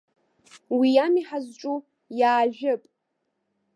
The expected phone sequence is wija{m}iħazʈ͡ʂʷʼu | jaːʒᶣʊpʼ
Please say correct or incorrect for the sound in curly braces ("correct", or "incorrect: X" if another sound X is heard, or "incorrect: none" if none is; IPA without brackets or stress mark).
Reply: correct